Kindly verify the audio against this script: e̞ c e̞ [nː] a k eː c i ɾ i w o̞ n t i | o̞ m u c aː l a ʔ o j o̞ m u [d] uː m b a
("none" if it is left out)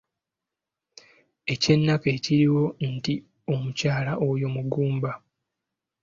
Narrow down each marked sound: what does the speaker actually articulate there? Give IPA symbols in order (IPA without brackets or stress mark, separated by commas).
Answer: nː, ɡ